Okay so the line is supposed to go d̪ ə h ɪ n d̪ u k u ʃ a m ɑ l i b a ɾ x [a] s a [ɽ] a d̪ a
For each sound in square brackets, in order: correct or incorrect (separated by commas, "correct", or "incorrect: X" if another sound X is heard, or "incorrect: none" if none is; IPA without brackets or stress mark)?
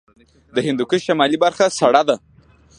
correct, correct